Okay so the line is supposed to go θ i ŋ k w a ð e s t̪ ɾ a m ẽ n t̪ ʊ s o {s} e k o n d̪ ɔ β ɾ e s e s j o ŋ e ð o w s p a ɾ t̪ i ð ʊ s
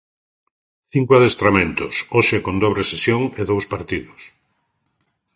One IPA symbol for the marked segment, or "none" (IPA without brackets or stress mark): ʃ